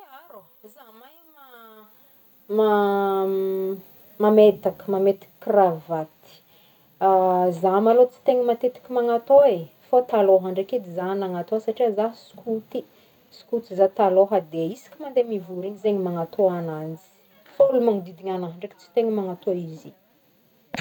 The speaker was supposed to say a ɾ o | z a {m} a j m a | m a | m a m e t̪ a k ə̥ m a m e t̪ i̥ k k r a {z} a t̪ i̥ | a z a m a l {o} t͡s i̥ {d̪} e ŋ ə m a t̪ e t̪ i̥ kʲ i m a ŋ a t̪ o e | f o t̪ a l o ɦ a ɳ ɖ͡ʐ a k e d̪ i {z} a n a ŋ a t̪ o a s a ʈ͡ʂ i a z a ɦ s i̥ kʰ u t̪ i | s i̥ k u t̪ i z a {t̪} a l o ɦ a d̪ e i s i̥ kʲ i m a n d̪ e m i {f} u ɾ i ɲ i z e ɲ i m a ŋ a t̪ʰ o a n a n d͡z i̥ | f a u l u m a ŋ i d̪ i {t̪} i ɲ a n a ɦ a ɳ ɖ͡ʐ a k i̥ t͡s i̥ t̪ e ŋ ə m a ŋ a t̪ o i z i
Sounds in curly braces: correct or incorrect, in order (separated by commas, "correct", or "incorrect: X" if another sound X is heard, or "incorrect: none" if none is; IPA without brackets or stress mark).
correct, incorrect: v, correct, incorrect: t̪, correct, correct, incorrect: v, incorrect: d̪